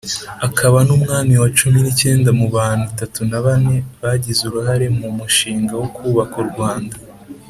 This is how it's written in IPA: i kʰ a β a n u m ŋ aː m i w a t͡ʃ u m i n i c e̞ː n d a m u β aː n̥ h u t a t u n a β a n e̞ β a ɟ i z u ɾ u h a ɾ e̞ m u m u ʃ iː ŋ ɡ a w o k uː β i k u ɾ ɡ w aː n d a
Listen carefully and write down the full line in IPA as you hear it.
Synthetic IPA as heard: a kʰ a β a n u m ŋ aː m i w a t͡ʃ u m i n i c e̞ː n d a m u β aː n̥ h u t a t u n a β a n e̞ β a ɟ i z u ɾ u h a ɾ e̞ m u m u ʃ iː ŋ ɡ a w o k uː β a k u ɾ ɡ w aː n d a